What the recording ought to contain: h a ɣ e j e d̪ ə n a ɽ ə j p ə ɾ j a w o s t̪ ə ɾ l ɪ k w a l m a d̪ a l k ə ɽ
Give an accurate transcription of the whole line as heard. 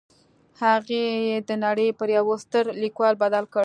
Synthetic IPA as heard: h a ɣ e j e d̪ ə n a ɽ ə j p ə ɾ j a w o s t̪ ə ɾ l i k w ɑ l b a d̪ a l k ə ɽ